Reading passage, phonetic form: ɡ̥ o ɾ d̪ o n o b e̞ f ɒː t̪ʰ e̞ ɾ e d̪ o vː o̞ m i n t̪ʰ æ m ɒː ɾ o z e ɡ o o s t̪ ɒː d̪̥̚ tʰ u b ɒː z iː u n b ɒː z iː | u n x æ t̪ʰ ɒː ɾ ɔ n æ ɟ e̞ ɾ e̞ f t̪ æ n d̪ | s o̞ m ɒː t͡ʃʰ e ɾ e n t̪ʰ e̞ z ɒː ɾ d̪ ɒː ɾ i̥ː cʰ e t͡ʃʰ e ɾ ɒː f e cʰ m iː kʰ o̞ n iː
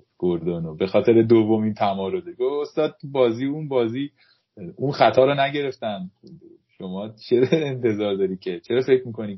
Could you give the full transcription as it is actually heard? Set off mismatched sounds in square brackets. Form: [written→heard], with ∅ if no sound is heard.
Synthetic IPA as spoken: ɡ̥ o ɾ d̪ o n o b e̞ [f→x] ɒː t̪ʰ e̞ ɾ e d̪ o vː o̞ m i n t̪ʰ æ m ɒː ɾ o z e ɡ o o s t̪ ɒː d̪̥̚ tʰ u b ɒː z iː u n b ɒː z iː | u n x æ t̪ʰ ɒː ɾ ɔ n æ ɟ e̞ ɾ e̞ f t̪ æ n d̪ | [s→ʃ] o̞ m ɒː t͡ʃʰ e ɾ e n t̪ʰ e̞ z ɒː ɾ d̪ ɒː ɾ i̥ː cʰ e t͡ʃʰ e ɾ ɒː f e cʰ m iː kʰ o̞ n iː